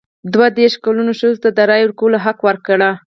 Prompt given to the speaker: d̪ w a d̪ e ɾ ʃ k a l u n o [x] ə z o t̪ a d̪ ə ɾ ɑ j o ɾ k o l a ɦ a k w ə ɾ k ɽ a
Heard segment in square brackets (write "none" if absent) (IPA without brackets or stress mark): ʃ